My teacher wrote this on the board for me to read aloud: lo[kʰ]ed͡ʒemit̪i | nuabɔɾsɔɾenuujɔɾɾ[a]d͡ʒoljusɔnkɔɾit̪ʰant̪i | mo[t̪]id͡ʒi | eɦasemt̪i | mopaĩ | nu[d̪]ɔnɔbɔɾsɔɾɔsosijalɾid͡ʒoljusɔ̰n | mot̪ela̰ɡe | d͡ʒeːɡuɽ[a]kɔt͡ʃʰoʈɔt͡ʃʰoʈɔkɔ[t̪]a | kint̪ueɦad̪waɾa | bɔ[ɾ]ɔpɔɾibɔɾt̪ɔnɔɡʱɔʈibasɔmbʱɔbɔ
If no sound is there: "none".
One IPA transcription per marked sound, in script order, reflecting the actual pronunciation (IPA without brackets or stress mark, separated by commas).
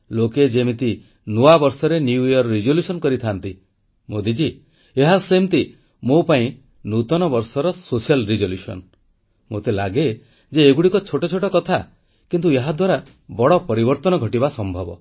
k, i, d̪, t̪, i, t̪ʰ, ɽ